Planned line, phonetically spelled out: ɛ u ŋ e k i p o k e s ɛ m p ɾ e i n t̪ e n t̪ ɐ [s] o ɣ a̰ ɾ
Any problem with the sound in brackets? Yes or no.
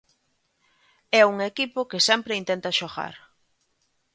yes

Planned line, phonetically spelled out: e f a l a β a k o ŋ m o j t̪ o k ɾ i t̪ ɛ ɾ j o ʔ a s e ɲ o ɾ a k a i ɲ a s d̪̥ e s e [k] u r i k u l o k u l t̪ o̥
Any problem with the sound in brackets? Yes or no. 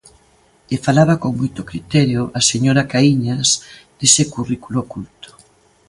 no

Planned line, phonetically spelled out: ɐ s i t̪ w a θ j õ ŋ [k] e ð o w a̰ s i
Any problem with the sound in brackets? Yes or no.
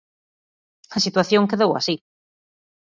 no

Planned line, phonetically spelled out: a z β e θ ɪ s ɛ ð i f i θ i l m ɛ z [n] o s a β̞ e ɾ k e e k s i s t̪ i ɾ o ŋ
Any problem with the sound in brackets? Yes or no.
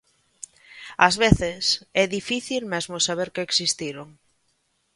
yes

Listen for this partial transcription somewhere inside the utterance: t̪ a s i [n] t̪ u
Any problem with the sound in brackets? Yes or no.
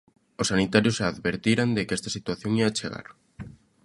yes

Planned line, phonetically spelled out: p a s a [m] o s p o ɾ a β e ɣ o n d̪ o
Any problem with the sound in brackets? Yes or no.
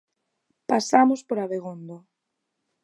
no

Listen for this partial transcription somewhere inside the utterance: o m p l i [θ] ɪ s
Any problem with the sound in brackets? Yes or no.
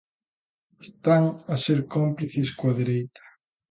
no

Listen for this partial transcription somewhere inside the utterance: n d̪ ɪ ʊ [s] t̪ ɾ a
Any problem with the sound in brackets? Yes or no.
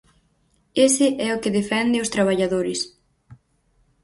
no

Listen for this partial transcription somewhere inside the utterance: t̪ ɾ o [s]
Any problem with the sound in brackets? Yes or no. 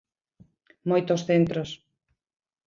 no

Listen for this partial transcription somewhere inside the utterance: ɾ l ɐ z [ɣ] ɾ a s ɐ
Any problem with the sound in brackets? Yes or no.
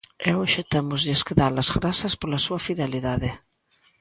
no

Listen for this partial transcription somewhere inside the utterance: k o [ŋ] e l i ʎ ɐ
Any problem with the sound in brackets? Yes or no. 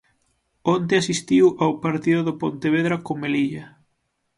yes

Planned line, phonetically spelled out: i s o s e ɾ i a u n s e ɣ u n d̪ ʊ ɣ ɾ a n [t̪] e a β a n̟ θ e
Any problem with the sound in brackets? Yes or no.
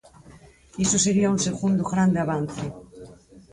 yes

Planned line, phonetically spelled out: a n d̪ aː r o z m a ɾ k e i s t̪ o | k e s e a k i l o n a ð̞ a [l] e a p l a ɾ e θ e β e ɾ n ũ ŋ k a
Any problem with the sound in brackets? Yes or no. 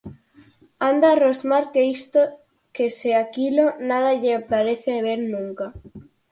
yes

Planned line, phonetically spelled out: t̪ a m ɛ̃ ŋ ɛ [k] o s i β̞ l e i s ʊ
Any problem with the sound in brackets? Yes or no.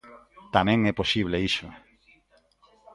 yes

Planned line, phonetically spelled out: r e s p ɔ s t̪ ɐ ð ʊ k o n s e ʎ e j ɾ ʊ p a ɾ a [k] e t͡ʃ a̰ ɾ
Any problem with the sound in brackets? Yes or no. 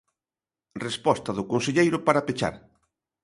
yes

